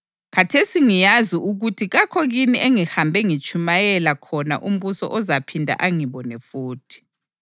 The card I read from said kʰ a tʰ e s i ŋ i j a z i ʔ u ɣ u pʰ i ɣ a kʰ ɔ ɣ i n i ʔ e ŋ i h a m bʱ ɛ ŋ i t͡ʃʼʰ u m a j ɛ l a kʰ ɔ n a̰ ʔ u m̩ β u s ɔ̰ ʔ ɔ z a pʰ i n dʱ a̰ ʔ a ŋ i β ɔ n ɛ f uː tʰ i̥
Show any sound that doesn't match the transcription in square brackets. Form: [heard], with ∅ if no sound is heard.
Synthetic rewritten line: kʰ a tʰ e s i ŋ i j a z i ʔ u ɣ u [tʰ] i ɣ a kʰ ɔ ɣ i n i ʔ e ŋ i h a m bʱ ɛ ŋ i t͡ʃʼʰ u m a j ɛ l a kʰ ɔ n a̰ ʔ u m̩ β u s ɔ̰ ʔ ɔ z a pʰ i n dʱ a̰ ʔ a ŋ i β ɔ n ɛ f uː tʰ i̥